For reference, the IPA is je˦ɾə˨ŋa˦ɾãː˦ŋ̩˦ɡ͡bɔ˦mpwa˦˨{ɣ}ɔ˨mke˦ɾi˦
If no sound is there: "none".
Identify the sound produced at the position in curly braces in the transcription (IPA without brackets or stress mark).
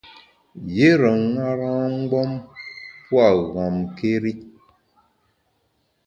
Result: ɣ